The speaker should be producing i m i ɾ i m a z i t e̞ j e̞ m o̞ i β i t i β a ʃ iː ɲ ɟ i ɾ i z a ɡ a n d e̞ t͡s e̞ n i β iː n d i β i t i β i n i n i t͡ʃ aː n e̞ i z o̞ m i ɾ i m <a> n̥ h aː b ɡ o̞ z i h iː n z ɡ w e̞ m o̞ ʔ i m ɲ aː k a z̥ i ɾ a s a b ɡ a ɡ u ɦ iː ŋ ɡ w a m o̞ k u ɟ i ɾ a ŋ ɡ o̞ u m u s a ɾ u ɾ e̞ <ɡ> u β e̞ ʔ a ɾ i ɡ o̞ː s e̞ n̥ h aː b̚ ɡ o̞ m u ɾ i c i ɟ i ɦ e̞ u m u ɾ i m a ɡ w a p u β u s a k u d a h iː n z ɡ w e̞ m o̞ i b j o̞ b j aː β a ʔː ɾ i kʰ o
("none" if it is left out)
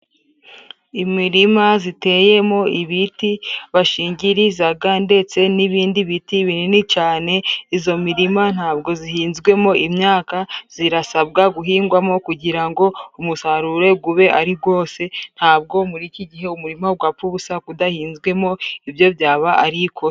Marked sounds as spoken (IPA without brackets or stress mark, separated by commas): a, ɡ